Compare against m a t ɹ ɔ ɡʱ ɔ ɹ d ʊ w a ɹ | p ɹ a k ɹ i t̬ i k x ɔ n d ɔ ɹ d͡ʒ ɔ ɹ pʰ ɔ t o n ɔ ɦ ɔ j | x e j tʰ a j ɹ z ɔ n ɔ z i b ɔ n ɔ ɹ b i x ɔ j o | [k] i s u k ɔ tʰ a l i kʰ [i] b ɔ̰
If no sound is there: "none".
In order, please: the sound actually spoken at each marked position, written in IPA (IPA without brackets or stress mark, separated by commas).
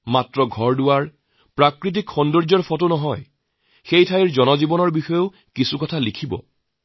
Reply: k, i